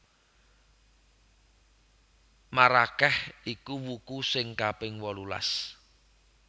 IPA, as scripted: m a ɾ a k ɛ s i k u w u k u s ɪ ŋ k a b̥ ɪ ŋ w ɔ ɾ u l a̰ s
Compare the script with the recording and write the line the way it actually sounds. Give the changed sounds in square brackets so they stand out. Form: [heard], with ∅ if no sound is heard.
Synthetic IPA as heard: m a ɾ a k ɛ [h] i k u w u k u s ɪ ŋ k a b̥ ɪ ŋ w ɔ [l] u l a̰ s